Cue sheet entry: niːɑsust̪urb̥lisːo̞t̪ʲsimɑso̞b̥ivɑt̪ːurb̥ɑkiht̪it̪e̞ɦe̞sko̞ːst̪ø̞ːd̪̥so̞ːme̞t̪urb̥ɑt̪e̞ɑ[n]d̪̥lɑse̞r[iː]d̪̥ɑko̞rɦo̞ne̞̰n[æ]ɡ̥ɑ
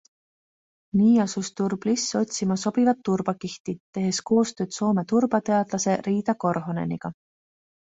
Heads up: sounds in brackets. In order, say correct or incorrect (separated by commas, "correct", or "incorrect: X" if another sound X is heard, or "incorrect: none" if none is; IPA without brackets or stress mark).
incorrect: none, correct, incorrect: i